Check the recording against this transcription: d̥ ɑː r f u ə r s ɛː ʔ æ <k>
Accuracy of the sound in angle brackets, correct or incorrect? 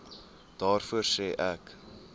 correct